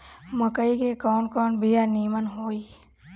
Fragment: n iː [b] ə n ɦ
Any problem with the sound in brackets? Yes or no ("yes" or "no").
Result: yes